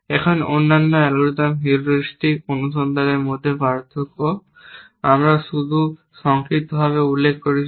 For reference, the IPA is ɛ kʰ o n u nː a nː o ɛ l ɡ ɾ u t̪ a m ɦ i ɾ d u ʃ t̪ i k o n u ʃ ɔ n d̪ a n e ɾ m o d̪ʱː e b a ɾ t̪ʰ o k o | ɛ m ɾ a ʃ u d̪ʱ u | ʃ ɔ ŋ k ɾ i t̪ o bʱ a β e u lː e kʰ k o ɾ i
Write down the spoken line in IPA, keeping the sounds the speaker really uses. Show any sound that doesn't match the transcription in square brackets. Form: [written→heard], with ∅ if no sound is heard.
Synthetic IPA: ɛ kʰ o n [u→o] nː a nː o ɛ l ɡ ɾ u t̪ a m ɦ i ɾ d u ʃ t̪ i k o n u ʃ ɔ n d̪ a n e ɾ m o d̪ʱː e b a ɾ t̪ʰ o k o | [ɛ→a] m ɾ a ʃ u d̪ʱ u | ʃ ɔ ŋ k ɾ i t̪ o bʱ a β e u lː e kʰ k o ɾ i